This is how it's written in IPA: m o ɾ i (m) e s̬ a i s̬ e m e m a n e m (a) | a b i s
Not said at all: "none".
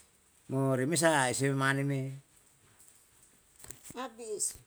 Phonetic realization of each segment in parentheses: m, e

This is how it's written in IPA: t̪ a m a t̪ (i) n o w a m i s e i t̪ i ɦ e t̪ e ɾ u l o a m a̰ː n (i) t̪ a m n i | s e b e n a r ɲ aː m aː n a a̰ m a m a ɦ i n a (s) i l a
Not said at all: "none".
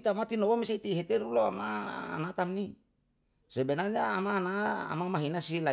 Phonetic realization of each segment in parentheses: i, a, s

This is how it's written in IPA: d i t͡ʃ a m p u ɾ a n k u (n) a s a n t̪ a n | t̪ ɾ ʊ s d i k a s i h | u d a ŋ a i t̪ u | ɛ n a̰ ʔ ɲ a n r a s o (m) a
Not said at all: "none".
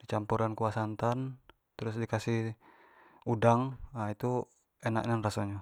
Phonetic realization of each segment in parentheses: none, ɲ

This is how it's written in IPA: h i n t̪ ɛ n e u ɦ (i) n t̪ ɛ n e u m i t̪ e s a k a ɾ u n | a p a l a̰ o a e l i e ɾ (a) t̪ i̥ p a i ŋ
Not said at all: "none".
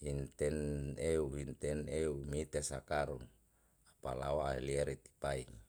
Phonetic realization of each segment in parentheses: i, i

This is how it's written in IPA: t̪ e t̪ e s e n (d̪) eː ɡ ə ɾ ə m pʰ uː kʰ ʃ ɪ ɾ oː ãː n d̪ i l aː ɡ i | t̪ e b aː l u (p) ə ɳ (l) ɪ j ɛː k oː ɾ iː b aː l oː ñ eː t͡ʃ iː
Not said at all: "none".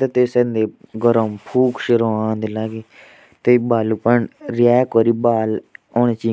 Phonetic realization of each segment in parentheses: d̪, p, ɾ

